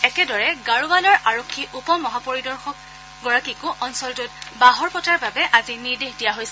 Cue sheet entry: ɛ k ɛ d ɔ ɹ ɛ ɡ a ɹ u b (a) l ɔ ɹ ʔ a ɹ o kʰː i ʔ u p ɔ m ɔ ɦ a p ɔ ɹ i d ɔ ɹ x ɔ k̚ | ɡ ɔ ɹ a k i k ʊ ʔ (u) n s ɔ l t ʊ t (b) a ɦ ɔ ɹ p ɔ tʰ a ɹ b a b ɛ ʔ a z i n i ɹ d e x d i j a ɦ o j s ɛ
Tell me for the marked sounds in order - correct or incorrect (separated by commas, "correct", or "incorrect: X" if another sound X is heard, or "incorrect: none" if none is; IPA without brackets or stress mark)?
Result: correct, incorrect: ɔ, correct